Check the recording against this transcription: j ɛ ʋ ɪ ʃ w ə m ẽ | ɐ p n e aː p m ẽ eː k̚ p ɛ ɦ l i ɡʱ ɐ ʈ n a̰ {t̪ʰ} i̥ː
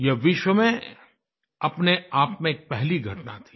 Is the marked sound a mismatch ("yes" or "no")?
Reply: no